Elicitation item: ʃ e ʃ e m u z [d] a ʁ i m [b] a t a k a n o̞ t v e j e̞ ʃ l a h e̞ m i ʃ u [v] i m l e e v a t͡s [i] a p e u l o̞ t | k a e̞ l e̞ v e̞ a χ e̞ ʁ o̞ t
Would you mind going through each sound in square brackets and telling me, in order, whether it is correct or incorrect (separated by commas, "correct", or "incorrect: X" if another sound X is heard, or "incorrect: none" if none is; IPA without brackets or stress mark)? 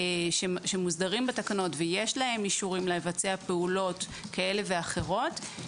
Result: correct, correct, incorrect: ʁ, incorrect: e